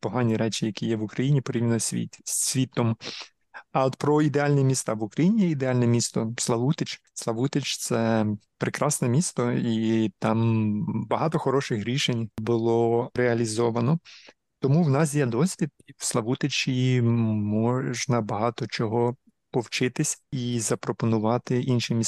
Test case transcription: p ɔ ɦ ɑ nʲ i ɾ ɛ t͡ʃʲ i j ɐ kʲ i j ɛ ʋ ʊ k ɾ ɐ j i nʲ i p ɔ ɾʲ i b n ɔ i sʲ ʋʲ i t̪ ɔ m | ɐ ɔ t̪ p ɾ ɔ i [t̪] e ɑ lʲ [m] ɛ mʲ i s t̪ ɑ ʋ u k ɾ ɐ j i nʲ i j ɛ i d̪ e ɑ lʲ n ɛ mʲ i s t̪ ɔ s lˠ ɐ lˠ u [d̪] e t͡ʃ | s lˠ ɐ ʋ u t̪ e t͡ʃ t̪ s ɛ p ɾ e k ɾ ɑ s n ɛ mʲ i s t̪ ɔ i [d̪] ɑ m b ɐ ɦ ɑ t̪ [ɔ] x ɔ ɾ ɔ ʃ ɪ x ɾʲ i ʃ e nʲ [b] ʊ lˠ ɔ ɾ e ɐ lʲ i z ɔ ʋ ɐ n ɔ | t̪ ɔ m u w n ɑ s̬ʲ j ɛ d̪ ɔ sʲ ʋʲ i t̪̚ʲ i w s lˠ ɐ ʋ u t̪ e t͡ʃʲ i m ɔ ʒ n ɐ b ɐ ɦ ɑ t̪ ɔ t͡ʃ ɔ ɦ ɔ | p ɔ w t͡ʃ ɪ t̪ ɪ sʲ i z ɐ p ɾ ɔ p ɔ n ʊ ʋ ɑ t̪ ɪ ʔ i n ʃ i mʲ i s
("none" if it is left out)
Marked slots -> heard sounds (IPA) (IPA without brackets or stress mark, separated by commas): d̪, n, t̪, t̪, ɔ, b